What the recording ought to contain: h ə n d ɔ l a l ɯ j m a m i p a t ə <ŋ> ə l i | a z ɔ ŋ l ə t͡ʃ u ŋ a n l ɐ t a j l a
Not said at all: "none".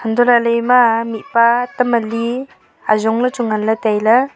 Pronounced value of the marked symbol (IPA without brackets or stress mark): m